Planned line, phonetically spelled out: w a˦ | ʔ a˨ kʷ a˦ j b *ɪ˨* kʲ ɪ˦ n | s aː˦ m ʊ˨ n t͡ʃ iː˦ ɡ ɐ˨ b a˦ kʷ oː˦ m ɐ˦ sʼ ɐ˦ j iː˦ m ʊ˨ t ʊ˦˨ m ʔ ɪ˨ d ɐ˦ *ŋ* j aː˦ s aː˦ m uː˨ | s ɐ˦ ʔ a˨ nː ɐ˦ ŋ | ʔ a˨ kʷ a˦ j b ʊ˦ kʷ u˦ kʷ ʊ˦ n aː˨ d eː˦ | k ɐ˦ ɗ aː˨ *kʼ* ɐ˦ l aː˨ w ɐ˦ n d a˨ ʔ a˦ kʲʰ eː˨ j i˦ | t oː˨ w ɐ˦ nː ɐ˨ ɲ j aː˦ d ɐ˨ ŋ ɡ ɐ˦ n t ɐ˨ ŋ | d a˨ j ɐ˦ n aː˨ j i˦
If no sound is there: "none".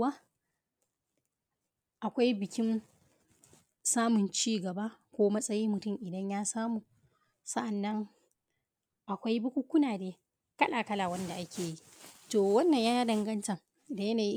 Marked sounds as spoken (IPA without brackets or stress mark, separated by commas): ɪ˨, ɲ, k